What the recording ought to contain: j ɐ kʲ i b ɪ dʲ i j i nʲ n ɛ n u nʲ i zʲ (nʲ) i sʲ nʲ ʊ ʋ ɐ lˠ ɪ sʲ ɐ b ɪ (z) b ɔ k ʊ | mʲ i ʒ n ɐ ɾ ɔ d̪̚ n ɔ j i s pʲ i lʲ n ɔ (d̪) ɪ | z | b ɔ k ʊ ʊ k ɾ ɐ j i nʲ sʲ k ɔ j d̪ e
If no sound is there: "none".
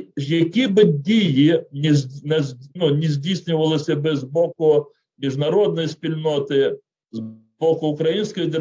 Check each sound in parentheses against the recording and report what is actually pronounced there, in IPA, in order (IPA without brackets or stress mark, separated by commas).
dʲ, z, t̪